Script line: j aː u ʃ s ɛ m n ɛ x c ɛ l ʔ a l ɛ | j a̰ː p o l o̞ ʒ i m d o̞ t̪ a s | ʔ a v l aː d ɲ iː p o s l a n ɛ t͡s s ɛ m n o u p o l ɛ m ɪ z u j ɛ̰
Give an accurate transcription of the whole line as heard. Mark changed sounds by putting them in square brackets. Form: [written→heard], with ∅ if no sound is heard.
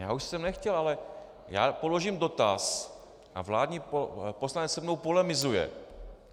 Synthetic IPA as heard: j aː u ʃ s ɛ m n ɛ x c ɛ l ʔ a l ɛ | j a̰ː p o l o̞ ʒ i m d o̞ t̪ a s | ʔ a v l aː d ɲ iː p o s l a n ɛ t͡s s ɛ m n o [u→w] p o l ɛ m ɪ z u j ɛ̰